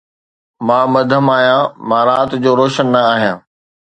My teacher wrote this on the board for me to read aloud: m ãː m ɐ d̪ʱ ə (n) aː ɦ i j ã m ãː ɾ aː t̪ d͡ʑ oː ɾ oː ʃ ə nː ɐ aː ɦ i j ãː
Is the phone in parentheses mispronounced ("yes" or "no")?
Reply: yes